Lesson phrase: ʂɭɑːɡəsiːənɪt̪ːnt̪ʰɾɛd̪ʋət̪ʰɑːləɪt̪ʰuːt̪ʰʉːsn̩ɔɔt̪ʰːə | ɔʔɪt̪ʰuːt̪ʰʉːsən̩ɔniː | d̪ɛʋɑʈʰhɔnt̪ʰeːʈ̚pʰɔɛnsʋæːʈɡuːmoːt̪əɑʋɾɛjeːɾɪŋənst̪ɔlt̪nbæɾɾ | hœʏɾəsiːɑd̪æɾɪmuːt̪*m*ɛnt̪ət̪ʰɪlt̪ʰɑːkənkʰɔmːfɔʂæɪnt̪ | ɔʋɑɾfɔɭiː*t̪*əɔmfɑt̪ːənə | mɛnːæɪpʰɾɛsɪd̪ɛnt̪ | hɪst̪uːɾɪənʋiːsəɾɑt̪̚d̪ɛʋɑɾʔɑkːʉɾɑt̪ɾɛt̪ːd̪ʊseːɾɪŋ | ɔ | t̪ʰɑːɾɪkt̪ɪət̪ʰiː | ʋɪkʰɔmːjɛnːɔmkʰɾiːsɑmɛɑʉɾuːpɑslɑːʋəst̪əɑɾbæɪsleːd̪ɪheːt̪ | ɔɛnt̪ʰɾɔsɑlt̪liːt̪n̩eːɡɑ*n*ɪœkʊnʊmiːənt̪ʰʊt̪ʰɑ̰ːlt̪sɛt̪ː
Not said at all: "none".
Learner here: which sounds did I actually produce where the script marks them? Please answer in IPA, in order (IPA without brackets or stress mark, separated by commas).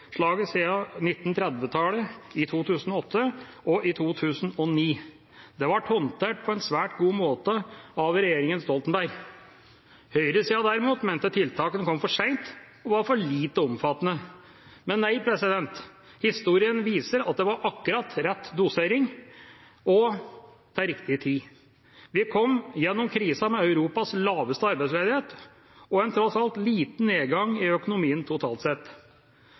m, t̪, ŋ